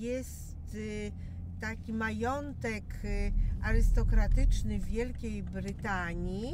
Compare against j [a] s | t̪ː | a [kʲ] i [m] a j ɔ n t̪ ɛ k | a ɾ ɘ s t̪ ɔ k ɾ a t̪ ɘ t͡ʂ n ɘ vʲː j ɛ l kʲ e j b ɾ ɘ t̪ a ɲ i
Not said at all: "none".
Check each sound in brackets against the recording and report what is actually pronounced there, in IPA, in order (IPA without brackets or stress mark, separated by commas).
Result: ɛ, kʲ, m